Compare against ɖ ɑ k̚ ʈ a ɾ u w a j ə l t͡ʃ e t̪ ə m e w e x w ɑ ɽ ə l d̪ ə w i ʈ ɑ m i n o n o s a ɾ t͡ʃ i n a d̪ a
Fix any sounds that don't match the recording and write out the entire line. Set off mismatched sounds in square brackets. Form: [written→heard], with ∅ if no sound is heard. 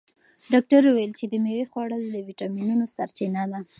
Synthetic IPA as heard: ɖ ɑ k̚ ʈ a ɾ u w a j ə l t͡ʃ e [t̪→d̪] ə m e w e x w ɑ ɽ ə l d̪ ə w i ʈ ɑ m i n [o→u] n o s a ɾ t͡ʃ i n a d̪ a